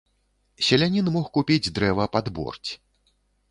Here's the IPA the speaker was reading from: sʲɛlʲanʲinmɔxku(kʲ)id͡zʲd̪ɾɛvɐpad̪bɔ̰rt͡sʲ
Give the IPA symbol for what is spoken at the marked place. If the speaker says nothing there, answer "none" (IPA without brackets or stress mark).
pʲ